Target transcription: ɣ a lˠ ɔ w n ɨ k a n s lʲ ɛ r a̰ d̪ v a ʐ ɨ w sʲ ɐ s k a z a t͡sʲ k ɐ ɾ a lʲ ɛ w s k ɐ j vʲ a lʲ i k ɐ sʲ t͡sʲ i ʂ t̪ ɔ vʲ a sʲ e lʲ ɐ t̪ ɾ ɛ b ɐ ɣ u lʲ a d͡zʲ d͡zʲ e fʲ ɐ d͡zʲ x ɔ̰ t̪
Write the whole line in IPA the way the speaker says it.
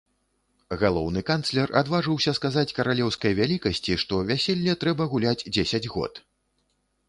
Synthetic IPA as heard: ɣ a lˠ ɔ w n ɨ k a n s lʲ ɛ r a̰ d̪ v a ʐ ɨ w sʲ ɐ s k a z a t͡sʲ k ɐ ɾ a lʲ ɛ w s k ɐ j vʲ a lʲ i k ɐ sʲ t͡sʲ i ʂ t̪ ɔ vʲ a sʲ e lʲː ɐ t̪ ɾ ɛ b ɐ ɣ u lʲ a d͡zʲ d͡zʲ e sʲ ɐ d͡zʲ ɣ ɔ̰ t̪